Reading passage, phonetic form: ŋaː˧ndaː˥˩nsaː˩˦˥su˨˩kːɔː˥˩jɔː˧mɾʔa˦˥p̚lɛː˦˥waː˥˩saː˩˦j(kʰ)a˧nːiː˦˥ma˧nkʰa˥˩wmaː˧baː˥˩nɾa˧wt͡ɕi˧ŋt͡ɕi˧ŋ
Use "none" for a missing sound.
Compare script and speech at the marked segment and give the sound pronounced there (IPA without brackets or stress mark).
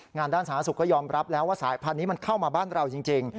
pʰ